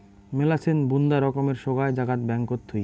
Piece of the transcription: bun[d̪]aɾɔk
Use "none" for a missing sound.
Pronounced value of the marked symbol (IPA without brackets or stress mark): d̪